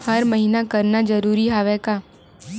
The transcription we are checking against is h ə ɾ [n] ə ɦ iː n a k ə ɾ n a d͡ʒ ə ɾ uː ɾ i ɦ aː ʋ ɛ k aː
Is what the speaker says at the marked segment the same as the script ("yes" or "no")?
no